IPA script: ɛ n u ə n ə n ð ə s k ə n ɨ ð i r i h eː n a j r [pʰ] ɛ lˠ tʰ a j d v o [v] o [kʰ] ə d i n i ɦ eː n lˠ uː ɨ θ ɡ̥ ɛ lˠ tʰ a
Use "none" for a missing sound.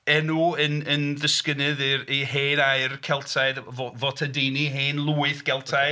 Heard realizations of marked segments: kʰ, v, tʰ

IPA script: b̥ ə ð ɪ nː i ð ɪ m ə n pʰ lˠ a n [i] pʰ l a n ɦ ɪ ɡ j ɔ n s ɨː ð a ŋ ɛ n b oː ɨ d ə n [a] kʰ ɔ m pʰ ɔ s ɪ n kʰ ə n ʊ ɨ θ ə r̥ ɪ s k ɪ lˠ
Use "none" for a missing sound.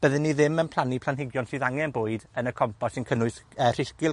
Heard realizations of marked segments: i, ə

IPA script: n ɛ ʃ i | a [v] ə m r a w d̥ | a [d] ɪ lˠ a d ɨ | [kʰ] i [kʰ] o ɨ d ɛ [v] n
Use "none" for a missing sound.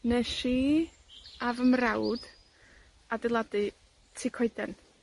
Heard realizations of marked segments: v, d, tʰ, kʰ, none

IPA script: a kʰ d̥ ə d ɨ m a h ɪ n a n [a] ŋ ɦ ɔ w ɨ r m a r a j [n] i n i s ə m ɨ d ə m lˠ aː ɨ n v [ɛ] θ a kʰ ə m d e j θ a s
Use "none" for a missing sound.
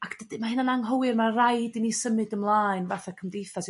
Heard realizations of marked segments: a, d, a

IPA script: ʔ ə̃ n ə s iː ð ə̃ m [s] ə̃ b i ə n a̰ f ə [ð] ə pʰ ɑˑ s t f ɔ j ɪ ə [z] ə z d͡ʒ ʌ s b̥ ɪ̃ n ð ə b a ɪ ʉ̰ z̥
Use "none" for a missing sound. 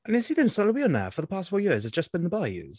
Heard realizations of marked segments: s, ð, z

